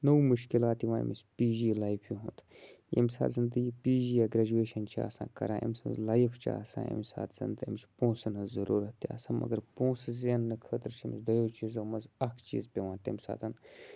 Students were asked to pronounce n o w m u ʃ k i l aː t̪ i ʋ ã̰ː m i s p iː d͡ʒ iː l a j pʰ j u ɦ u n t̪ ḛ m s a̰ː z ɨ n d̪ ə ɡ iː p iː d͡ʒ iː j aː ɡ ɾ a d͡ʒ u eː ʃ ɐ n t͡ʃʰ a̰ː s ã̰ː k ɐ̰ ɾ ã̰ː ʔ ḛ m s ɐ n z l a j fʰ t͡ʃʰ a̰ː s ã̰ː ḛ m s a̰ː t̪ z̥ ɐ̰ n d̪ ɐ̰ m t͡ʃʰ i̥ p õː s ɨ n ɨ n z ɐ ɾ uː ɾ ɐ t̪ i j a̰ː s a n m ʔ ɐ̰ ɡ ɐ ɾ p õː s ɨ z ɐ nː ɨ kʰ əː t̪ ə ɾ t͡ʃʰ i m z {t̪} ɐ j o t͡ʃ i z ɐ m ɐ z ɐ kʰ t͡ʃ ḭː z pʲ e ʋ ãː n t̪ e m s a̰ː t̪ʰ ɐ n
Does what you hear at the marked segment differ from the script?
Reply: yes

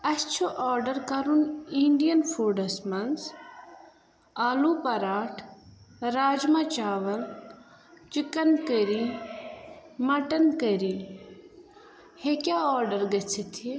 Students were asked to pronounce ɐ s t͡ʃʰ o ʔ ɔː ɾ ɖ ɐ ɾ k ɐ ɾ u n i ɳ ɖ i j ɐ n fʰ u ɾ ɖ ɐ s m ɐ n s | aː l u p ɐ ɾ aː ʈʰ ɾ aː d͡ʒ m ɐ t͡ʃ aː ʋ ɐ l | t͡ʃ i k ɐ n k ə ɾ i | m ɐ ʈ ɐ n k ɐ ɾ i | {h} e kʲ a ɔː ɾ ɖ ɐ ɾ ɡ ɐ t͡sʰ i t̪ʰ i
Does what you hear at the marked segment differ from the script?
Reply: no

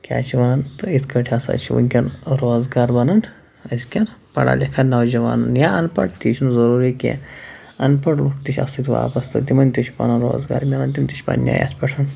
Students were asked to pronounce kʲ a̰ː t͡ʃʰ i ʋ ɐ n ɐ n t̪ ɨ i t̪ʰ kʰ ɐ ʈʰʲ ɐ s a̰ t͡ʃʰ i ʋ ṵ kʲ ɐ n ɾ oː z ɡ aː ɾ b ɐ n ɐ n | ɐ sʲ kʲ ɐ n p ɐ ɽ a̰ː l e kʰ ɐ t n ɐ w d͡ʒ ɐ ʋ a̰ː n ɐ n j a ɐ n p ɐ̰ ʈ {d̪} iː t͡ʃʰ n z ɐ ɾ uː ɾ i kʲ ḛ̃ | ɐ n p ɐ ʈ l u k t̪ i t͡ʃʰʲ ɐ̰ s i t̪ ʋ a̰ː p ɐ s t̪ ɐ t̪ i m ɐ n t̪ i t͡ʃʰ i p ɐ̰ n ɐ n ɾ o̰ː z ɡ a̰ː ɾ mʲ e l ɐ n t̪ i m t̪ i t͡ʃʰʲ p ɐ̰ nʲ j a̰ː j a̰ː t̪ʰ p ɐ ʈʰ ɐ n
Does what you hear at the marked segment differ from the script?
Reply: yes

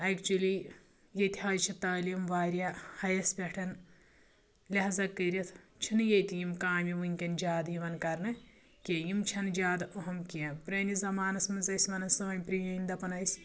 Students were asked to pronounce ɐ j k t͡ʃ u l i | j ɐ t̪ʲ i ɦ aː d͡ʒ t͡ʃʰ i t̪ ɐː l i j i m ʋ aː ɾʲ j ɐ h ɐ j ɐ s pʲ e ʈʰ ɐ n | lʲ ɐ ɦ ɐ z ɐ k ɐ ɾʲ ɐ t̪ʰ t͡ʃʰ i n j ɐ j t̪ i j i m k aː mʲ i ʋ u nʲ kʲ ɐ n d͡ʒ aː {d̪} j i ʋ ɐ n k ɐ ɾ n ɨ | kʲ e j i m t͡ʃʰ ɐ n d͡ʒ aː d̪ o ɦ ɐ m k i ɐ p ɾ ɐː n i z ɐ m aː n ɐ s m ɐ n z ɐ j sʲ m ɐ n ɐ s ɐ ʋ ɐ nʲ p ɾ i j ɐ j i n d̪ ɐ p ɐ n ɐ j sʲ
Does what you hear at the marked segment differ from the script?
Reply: no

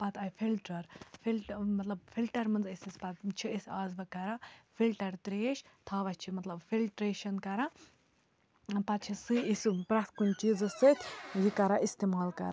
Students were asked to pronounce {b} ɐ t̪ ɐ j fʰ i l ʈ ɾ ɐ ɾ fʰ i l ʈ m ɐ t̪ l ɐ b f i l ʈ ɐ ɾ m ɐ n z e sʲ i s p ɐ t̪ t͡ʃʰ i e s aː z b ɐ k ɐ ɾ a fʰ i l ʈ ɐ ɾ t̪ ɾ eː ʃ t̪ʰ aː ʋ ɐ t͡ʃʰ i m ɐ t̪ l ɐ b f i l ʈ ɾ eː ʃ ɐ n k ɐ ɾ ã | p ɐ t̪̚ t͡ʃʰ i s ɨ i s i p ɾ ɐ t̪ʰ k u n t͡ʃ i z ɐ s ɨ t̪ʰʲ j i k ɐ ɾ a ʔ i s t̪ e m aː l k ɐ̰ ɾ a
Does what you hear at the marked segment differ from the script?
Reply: yes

